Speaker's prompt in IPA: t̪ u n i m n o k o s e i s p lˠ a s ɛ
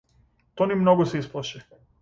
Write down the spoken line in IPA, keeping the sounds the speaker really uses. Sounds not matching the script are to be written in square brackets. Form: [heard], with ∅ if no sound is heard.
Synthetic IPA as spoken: t̪ [o] n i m n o [ɡ] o s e i s p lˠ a [ʃ] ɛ